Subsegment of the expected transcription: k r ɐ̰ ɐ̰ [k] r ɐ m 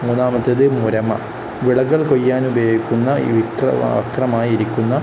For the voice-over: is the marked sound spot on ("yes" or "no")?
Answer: yes